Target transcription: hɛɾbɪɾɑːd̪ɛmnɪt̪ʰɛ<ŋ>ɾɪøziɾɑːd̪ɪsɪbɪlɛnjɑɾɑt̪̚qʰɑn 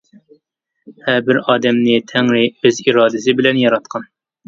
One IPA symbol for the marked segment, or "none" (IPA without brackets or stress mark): ŋ